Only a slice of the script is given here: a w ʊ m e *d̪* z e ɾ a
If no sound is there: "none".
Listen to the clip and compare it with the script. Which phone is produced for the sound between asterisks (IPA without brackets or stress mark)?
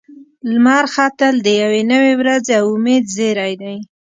d̪